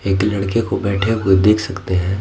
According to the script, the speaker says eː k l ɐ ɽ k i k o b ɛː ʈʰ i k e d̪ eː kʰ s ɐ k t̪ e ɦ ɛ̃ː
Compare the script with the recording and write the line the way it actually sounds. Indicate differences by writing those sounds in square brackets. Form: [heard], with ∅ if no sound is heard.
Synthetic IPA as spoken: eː k l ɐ ɽ k [e] k o b ɛː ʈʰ [e] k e d̪ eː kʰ s ɐ k t̪ e ɦ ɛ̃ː